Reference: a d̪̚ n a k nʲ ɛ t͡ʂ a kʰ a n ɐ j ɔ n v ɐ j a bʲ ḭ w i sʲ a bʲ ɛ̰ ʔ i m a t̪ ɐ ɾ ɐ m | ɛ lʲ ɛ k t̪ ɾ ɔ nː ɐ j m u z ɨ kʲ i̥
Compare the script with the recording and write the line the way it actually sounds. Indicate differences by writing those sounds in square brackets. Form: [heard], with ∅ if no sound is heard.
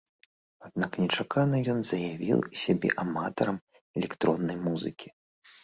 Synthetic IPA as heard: a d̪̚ n a k nʲ ɛ t͡ʂ a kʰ a n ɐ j ɔ n [z] ɐ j a [vʲ] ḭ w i sʲ a bʲ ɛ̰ ʔ [a] m a t̪ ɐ ɾ ɐ m | ɛ lʲ ɛ k t̪ ɾ ɔ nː ɐ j m u z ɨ kʲ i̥